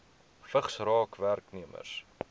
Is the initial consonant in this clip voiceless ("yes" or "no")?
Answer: yes